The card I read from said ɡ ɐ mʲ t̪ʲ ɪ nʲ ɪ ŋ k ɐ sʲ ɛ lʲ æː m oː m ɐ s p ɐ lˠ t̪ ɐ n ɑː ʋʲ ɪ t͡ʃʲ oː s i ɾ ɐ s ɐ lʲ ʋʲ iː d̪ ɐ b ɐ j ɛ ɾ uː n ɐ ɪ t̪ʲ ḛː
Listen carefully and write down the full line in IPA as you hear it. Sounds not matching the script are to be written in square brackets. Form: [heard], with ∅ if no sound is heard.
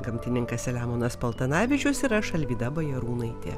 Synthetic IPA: ɡ ɐ mʲ t̪ʲ ɪ nʲ ɪ ŋ k ɐ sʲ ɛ lʲ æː m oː [n] ɐ s p ɐ lˠ t̪ ɐ n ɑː ʋʲ ɪ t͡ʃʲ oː s i ɾ ɐ [ʃ] ɐ lʲ ʋʲ iː d̪ ɐ b ɐ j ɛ ɾ uː n ɐ ɪ t̪ʲ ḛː